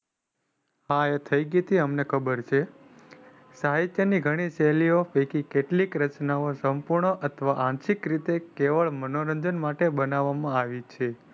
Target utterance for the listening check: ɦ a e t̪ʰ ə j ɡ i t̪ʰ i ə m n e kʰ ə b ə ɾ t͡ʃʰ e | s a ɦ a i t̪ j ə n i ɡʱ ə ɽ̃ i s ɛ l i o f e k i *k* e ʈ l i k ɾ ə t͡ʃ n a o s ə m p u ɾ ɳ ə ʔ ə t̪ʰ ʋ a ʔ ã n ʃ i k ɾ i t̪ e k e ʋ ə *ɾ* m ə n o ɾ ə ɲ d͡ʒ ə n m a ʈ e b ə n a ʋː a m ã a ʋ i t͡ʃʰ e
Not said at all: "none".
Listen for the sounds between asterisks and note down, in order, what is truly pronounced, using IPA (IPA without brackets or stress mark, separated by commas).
k, ɭ